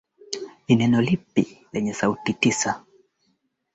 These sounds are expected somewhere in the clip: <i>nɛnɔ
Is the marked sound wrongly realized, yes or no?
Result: no